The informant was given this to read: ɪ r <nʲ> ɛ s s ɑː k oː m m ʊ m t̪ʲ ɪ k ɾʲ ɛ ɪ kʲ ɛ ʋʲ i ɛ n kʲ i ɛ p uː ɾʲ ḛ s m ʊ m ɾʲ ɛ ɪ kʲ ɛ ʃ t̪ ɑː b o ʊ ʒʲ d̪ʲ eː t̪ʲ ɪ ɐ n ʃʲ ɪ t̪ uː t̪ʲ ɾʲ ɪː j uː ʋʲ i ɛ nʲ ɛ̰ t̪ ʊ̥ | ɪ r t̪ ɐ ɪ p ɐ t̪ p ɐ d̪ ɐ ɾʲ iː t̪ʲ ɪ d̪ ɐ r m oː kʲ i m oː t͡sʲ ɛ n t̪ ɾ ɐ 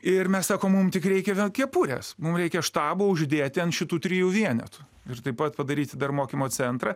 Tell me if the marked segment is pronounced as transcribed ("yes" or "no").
no